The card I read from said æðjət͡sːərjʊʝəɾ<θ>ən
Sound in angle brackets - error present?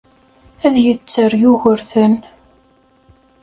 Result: no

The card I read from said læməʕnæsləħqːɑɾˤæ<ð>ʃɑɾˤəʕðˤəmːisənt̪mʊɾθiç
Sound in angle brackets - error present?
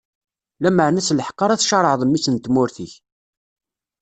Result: yes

